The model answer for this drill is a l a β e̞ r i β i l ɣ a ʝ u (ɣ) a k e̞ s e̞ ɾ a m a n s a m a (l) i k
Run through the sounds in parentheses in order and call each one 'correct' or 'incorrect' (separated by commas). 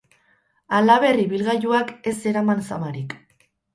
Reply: incorrect, incorrect